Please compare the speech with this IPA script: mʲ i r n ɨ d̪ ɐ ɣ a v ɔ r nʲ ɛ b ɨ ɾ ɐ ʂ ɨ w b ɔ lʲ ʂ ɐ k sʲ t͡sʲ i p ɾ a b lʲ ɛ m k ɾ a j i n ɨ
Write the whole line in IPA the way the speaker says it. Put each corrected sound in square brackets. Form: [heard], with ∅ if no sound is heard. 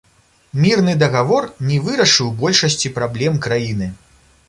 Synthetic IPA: mʲ i r n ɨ d̪ ɐ ɣ a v ɔ r nʲ ɛ [v] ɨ ɾ ɐ ʂ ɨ w b ɔ lʲ ʂ ɐ [∅] sʲ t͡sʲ i p ɾ a b lʲ ɛ m k ɾ a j i n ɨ